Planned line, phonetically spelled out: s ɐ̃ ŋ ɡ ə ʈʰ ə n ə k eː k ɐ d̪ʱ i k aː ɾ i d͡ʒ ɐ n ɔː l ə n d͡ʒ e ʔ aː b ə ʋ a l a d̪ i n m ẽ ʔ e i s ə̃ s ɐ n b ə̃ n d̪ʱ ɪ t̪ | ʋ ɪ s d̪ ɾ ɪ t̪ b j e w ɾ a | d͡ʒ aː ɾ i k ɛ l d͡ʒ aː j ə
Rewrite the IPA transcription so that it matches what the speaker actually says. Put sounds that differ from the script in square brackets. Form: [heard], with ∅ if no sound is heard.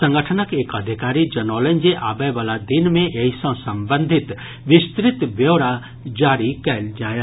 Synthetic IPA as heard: s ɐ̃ ŋ ɡ ə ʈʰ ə n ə k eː k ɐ d̪ʱ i k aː ɾ i d͡ʒ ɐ n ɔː l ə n d͡ʒ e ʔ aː b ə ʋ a l a d̪ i n m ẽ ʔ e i s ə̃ s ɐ [m] b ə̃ n d̪ʱ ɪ t̪ | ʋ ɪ s [t̪] ɾ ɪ t̪ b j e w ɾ a | d͡ʒ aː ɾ i k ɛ l d͡ʒ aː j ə

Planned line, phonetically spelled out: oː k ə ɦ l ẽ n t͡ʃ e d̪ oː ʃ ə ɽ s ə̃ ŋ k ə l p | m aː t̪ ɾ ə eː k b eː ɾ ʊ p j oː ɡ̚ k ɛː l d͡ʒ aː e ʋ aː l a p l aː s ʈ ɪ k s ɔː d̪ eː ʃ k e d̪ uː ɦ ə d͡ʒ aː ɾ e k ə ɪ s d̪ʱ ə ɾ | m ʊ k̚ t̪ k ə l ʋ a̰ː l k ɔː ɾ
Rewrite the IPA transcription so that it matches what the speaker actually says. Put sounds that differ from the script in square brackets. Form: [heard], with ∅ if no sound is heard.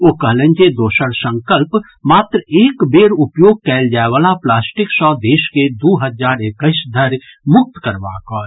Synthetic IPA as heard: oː k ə ɦ l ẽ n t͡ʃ e d̪ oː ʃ ə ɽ s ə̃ ŋ k ə l p | m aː t̪ ɾ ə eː k b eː ɾ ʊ p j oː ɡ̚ k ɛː l d͡ʒ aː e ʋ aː l a p l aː s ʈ ɪ k s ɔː d̪ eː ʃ k e d̪ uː ɦ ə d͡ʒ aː ɾ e k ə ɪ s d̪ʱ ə ɾ | m ʊ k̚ t̪ k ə [ɾ] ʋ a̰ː [∅] k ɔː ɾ

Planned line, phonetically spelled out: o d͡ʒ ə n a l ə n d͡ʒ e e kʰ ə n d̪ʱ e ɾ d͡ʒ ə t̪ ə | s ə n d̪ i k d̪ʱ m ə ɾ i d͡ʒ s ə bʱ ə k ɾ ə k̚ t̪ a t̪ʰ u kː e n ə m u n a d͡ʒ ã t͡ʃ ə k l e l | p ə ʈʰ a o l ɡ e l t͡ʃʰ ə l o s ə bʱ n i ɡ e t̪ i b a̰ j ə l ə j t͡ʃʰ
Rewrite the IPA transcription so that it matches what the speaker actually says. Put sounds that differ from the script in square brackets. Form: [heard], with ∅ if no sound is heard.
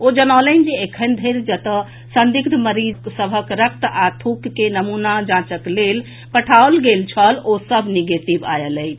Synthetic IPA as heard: o d͡ʒ ə n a l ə n d͡ʒ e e kʰ ə n d̪ʱ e ɾ d͡ʒ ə t̪ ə | s ə n d̪ i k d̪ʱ m ə ɾ i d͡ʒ s ə bʱ ə k ɾ ə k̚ t̪ a t̪ʰ u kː e n ə m u n a d͡ʒ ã t͡ʃ ə k l e l | p ə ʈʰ a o l ɡ e l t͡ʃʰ ə l o s ə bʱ n i ɡ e t̪ i b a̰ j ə l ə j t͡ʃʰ

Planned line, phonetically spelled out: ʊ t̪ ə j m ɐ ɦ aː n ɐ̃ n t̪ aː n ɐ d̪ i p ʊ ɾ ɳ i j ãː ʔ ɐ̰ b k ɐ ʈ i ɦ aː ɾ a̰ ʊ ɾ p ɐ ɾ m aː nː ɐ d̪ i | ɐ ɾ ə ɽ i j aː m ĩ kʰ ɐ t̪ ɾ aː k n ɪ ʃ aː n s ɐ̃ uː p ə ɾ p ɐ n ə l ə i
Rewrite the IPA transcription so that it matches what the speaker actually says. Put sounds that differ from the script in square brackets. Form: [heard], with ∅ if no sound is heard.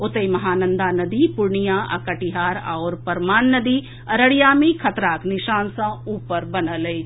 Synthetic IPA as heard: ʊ t̪ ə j m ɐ ɦ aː n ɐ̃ n [d̪] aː n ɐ d̪ i p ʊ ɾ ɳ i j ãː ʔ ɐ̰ [∅] k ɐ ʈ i ɦ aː ɾ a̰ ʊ ɾ p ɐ ɾ m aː nː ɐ d̪ i | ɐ ɾ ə ɽ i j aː m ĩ kʰ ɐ t̪ ɾ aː k n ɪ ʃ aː n s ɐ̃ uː p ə ɾ [b] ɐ n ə l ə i

